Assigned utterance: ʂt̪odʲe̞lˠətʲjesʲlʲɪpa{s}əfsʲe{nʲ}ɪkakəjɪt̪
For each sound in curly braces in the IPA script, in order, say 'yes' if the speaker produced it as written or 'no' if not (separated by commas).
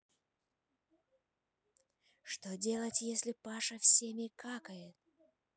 no, no